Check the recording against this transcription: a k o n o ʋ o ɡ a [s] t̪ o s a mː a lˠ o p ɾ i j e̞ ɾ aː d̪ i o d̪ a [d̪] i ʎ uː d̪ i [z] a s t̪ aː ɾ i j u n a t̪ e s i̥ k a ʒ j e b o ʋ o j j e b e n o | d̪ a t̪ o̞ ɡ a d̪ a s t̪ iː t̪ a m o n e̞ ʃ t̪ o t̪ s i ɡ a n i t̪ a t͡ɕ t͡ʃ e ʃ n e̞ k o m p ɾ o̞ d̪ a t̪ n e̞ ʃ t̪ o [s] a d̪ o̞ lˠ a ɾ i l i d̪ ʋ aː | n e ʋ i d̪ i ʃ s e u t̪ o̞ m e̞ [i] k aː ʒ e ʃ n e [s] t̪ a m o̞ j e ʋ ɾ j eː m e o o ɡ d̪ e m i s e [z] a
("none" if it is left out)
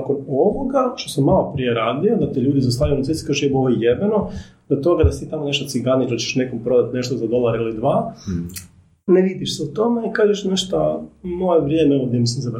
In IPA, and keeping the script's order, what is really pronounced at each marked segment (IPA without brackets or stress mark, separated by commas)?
ʃ, t̪, z, z, i, ʃ, z